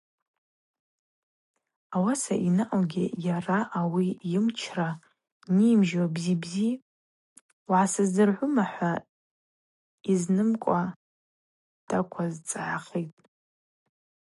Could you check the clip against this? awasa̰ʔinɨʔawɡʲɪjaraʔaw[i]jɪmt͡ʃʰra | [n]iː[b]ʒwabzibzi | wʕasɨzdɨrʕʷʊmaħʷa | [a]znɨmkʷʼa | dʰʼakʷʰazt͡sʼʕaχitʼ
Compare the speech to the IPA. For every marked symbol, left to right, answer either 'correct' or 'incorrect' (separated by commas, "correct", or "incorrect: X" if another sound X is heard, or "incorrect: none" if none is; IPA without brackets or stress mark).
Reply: correct, correct, incorrect: m, incorrect: i